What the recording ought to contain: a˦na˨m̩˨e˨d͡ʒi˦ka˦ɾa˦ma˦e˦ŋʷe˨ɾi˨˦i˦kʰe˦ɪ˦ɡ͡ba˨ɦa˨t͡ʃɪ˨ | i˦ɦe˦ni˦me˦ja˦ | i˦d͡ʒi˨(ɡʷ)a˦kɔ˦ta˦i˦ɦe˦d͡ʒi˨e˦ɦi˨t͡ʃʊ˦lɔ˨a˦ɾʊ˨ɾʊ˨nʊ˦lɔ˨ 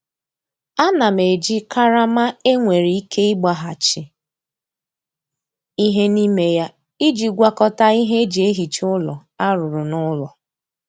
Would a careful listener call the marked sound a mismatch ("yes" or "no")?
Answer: no